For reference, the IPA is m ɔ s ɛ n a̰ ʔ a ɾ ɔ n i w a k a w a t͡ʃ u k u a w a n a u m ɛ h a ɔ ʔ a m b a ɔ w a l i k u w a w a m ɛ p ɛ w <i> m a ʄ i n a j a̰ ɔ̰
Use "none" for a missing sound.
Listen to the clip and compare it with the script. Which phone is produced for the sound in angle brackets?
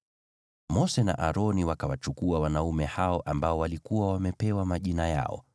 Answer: a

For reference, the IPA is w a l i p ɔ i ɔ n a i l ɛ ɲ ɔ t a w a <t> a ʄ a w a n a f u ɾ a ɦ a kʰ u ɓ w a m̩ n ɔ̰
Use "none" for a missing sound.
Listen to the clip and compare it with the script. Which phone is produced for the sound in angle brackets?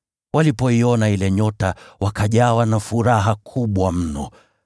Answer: k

